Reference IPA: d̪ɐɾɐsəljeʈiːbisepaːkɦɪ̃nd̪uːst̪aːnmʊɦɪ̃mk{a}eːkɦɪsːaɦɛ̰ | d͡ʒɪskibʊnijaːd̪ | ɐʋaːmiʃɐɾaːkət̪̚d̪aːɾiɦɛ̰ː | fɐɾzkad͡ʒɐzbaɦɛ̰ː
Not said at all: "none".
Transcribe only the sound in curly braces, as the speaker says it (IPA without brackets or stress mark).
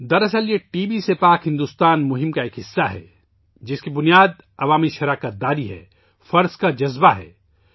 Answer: a